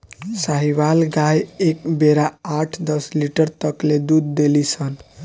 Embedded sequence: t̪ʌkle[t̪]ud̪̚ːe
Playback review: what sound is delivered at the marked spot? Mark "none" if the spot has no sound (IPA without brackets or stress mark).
d̪